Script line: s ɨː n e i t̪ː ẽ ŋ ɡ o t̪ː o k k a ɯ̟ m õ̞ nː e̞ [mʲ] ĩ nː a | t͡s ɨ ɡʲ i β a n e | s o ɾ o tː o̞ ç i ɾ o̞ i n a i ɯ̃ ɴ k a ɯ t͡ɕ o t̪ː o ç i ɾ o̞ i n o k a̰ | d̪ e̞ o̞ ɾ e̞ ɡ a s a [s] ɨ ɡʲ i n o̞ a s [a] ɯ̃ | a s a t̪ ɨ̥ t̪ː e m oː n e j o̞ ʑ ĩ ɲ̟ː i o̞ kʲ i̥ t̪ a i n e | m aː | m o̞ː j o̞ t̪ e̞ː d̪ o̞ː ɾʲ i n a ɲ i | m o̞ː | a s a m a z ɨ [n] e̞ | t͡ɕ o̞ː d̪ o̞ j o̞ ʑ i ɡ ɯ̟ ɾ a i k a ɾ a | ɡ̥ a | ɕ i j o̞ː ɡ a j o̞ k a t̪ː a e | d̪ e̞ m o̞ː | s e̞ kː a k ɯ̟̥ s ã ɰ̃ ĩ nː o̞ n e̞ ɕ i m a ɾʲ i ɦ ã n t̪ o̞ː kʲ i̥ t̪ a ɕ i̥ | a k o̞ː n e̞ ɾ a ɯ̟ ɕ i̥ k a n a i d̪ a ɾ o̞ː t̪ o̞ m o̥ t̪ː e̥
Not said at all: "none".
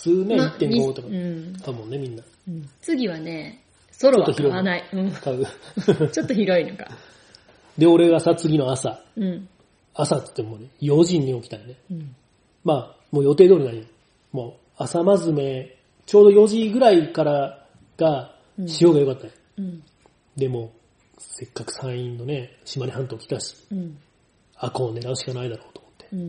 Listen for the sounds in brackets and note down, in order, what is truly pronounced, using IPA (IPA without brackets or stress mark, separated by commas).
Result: mʲ, t͡s, a, m